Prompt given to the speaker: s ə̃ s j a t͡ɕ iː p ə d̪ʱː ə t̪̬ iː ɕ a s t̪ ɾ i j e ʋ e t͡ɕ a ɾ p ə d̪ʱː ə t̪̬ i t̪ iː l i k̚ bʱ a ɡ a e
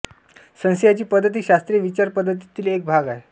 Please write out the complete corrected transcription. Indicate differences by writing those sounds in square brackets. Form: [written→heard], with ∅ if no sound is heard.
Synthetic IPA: s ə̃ s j a t͡ɕ iː p ə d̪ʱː ə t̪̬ iː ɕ a s t̪ ɾ i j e ʋ [e→i] t͡ɕ a ɾ p ə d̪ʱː ə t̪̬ i t̪ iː l [i→e] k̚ bʱ a ɡ a e